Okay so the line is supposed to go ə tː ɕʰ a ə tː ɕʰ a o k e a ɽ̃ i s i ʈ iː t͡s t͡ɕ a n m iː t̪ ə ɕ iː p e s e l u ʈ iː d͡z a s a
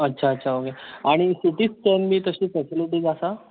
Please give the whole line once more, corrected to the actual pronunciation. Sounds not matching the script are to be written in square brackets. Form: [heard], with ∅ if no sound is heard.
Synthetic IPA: ə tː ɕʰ a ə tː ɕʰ a o k e a ɽ̃ i s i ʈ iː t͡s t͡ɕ [ə] n m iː t̪ ə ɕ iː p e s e l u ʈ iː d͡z a s a

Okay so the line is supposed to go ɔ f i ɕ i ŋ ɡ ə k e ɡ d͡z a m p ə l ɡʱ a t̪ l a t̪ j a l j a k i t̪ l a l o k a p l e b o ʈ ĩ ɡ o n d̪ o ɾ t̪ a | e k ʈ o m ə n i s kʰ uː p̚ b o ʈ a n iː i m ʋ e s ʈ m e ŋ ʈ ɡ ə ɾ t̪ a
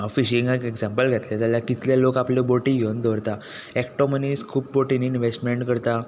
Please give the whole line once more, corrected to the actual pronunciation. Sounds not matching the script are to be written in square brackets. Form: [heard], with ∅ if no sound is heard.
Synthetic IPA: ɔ f i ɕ i ŋ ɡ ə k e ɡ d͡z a m p ə l ɡʱ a t̪ l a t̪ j a l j a k i t̪ l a l o k a p l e b o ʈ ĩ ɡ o n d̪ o ɾ t̪ a | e k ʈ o m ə n i s kʰ uː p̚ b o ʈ [i] n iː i [n] ʋ e s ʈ m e [ɳ] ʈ [k] ə ɾ t̪ a

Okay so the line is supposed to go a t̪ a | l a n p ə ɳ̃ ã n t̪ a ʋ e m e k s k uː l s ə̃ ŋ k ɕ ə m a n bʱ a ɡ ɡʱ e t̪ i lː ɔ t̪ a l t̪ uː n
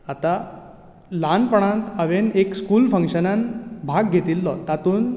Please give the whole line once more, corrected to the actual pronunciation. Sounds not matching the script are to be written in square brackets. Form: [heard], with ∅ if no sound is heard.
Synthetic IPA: a t̪ a | l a n p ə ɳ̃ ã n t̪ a ʋ e [n] e k s k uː l [f] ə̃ ŋ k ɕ ə [n] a n bʱ a ɡ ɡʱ e t̪ i lː ɔ t̪ a [∅] t̪ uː n

